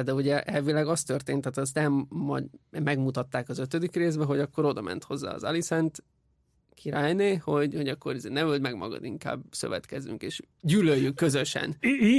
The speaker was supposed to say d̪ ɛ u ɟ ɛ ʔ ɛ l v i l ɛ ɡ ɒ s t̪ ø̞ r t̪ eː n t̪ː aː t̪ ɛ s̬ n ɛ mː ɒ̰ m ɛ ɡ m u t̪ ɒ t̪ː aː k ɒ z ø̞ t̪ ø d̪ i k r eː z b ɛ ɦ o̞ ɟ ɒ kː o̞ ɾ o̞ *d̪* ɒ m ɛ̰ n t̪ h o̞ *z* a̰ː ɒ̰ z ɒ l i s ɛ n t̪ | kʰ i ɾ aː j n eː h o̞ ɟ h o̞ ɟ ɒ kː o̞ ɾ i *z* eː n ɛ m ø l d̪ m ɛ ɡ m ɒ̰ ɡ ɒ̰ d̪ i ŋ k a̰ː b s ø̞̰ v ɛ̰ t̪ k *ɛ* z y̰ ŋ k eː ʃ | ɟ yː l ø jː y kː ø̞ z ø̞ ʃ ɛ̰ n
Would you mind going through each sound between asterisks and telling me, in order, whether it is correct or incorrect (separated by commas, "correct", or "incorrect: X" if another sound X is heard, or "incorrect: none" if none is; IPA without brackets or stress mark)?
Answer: correct, incorrect: zː, correct, correct